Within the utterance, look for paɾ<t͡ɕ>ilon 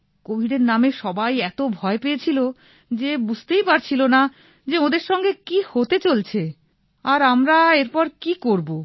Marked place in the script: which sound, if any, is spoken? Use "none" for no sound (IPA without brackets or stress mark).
t͡ɕʰ